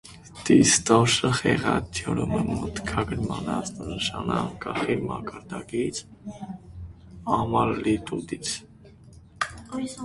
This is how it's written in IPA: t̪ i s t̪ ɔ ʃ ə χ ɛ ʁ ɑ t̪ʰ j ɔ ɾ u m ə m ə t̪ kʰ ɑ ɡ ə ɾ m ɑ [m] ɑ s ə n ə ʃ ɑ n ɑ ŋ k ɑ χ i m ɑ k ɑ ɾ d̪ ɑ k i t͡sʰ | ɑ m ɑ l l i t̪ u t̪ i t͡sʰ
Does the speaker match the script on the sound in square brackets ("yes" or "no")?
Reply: no